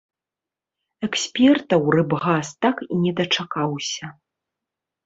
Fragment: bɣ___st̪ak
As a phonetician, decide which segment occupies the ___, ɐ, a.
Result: a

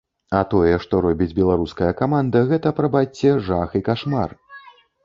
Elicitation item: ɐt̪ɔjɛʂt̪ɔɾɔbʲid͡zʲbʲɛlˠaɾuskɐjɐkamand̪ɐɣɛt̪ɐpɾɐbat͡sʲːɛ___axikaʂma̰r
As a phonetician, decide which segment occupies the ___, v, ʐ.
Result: ʐ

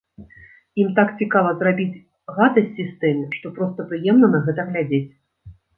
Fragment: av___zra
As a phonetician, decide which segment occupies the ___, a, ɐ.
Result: ɐ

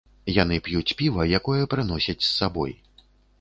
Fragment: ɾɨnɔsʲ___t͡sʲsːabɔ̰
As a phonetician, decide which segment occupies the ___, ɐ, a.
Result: ɐ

